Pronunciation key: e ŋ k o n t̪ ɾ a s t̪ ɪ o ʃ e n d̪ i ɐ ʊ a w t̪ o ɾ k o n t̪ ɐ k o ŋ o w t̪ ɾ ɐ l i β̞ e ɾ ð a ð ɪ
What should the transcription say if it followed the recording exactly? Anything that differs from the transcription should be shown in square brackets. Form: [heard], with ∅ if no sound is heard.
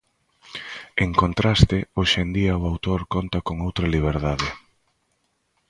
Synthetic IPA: e ŋ k o n t̪ ɾ a s t̪ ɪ o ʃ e n d̪ i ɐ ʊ a w t̪ o ɾ k o n t̪ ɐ k o ŋ o w t̪ ɾ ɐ l i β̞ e ɾ ð a ð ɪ